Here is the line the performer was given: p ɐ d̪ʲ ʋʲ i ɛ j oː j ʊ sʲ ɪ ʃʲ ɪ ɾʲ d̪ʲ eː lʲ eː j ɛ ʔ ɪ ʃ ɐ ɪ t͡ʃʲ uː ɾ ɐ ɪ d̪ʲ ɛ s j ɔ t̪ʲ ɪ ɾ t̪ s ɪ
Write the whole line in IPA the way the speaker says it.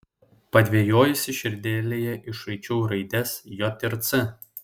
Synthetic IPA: p ɐ d̪ʲ ʋʲ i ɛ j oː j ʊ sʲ ɪ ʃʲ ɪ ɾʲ d̪ʲ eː lʲ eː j ɛ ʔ ɪ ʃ ɐ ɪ t͡ʃʲ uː ɾ ɐ ɪ d̪ʲ ɛ s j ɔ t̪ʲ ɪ ɾ t̪ s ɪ